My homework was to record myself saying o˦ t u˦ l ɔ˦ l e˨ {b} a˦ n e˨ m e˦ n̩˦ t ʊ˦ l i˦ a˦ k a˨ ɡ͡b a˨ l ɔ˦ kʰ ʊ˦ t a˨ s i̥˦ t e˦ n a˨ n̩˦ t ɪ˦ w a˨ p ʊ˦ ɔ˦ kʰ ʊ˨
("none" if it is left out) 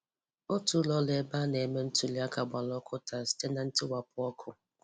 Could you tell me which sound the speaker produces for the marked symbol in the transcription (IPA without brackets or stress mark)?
b